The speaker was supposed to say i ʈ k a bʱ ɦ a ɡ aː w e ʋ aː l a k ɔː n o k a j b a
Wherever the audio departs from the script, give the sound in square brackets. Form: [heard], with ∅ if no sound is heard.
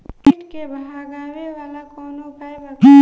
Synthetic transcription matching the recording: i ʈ k [e] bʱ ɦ a ɡ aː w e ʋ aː l a k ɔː n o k a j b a